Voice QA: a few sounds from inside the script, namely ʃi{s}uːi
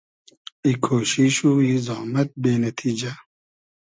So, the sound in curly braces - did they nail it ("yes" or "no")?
no